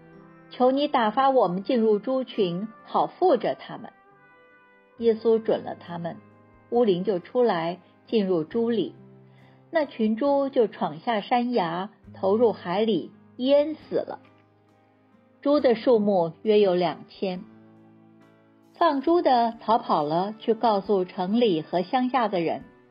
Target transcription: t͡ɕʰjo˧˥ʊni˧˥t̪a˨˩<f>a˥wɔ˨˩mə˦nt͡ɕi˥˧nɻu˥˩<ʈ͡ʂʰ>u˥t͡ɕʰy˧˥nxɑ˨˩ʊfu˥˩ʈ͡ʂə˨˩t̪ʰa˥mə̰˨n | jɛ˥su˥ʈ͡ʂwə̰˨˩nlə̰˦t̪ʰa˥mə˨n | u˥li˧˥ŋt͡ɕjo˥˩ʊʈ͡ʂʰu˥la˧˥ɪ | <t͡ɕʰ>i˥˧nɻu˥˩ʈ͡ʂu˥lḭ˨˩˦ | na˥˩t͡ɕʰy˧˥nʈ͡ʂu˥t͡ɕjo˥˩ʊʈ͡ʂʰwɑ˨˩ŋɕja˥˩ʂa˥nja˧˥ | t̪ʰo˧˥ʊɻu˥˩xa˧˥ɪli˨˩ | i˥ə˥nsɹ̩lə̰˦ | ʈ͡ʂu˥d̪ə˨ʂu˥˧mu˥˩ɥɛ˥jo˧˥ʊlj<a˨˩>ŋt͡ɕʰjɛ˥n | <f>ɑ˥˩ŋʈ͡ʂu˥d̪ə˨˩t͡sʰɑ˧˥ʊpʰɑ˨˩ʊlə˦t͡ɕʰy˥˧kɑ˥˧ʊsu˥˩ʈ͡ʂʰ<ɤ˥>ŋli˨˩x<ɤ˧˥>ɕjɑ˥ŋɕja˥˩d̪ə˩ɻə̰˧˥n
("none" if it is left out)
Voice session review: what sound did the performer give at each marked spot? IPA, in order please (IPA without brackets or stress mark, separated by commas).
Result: f, ʈ͡ʂ, t͡ɕ, ɑ˨˩, f, ɤ˧˥, ɤ˧˥